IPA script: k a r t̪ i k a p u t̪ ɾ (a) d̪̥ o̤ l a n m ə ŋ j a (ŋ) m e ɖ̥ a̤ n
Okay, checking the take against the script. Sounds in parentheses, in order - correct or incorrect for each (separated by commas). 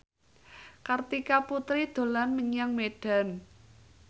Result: incorrect, correct